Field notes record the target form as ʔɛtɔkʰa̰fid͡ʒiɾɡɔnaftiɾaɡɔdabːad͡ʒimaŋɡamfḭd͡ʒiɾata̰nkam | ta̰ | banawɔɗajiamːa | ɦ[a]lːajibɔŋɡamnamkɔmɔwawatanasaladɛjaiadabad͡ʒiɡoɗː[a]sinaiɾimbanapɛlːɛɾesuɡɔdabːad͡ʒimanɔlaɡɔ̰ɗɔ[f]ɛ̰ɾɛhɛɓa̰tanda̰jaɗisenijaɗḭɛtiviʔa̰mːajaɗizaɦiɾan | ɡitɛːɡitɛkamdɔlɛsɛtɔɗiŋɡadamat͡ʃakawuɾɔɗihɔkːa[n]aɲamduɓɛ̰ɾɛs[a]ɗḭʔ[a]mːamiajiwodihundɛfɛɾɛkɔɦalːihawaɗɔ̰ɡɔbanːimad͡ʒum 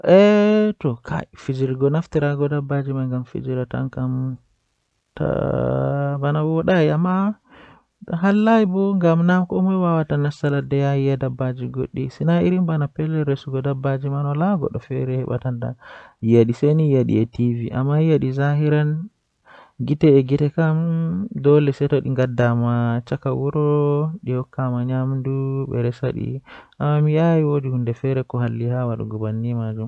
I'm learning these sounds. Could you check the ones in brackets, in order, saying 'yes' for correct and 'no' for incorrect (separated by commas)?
yes, no, yes, no, yes, yes